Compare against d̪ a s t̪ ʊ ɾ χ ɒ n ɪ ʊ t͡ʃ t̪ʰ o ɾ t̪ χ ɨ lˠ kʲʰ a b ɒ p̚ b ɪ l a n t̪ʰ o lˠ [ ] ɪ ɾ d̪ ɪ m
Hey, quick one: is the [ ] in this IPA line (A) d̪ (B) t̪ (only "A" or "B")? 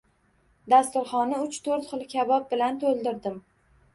A